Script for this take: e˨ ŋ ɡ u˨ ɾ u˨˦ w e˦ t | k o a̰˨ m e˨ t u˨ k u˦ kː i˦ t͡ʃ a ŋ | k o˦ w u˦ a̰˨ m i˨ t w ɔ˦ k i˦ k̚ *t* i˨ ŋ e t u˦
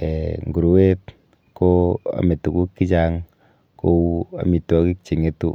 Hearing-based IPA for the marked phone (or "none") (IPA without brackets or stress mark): t͡ʃ